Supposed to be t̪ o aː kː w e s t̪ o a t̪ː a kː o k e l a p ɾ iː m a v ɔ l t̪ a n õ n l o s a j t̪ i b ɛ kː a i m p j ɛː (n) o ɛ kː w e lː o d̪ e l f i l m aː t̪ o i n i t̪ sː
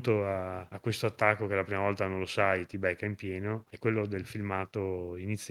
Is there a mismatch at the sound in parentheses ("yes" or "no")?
no